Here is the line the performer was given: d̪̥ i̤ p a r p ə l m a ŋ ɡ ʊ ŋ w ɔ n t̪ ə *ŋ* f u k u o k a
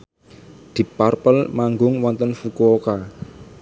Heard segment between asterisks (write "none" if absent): n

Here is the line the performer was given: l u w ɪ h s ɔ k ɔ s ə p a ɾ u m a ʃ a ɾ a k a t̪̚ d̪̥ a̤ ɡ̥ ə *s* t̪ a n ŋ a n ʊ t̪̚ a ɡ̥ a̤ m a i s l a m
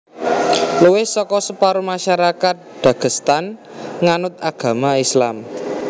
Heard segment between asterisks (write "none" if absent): s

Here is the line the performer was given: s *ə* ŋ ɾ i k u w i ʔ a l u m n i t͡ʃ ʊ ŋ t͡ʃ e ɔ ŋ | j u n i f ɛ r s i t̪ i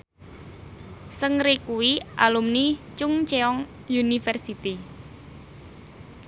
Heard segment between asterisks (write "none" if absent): ə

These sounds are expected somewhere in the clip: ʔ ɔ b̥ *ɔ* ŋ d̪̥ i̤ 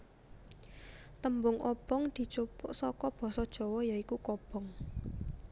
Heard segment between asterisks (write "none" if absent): ɔ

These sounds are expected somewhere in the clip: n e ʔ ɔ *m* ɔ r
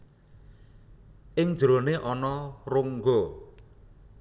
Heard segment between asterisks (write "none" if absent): n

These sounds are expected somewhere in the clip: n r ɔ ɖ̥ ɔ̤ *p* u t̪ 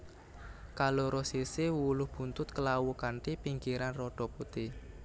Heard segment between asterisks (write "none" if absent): p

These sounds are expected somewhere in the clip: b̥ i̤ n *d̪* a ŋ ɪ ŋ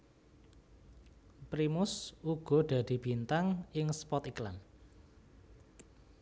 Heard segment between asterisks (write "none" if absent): t̪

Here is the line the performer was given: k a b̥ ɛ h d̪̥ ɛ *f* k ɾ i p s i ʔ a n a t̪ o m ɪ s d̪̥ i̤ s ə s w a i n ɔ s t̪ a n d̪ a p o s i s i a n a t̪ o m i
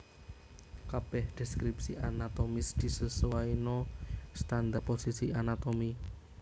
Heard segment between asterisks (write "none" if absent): s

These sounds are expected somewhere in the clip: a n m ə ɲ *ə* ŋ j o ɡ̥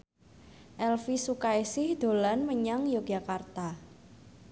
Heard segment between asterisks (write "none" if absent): a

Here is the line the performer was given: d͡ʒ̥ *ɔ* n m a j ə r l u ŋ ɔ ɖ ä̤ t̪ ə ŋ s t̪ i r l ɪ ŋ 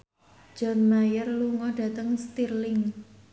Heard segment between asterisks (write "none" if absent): ɔ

